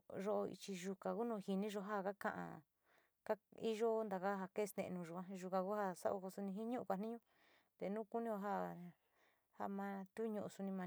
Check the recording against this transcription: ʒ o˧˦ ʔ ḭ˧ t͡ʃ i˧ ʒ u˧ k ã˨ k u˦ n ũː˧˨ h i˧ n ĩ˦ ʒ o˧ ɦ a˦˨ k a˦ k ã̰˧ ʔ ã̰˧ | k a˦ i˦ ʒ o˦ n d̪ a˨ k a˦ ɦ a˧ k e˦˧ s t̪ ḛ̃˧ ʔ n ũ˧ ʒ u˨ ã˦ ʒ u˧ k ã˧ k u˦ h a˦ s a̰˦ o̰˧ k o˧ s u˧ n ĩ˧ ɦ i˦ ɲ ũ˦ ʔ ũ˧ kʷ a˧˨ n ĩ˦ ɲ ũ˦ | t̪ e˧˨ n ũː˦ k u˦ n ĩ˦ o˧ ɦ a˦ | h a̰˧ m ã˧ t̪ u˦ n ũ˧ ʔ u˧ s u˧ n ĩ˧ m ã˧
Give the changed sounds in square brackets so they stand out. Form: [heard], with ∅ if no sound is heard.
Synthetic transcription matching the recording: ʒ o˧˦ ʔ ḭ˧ t͡ʃ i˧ ʒ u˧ k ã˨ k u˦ n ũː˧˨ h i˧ n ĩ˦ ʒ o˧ ɦ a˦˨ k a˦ k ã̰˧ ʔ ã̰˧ | k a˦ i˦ ʒ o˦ n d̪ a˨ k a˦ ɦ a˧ k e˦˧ s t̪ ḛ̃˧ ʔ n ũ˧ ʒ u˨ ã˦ ʒ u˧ k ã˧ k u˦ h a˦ s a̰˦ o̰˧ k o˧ s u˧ n ĩ˧ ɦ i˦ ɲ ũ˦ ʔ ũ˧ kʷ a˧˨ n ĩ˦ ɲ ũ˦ | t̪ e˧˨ n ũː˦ k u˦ n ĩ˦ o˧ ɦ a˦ | h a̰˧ m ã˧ t̪ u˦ [ɲ] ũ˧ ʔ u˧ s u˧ n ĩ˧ m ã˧